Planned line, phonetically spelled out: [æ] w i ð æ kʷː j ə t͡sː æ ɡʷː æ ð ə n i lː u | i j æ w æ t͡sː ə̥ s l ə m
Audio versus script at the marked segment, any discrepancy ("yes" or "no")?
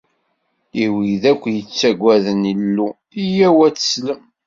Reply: yes